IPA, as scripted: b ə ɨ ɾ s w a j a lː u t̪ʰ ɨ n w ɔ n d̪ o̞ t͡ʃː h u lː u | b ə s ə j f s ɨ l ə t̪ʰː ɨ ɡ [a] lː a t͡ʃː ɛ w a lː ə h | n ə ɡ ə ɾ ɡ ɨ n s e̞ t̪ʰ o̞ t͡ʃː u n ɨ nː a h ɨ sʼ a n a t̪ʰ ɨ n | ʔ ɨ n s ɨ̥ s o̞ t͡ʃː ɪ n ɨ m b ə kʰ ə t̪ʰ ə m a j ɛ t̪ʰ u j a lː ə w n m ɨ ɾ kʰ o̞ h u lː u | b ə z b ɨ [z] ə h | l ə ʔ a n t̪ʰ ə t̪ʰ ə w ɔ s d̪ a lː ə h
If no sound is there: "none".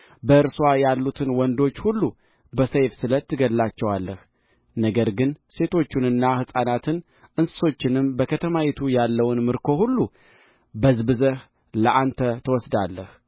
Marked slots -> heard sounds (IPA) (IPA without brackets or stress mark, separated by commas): ə, z